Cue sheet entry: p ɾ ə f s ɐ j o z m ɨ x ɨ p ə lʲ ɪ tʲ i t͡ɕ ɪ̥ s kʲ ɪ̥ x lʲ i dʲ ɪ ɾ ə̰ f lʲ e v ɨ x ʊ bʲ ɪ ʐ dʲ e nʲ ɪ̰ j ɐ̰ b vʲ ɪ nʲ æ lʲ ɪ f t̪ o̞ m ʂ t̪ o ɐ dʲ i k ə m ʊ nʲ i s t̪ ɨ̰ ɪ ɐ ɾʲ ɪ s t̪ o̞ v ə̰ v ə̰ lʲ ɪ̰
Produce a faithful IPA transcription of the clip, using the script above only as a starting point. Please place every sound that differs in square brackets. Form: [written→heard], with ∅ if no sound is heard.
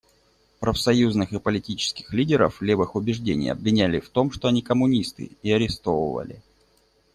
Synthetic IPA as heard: p ɾ ə f s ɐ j [o→u] z [m→n] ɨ x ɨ p ə lʲ ɪ tʲ i t͡ɕ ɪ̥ s kʲ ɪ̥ x lʲ i dʲ ɪ ɾ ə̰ f lʲ e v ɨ x ʊ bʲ ɪ ʐ dʲ e nʲ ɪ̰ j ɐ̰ b vʲ ɪ nʲ æ lʲ ɪ f t̪ o̞ m ʂ t̪ o ɐ [dʲ→nʲ] i k ə m ʊ nʲ i s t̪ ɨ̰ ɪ ɐ ɾʲ ɪ s t̪ o̞ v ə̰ v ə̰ lʲ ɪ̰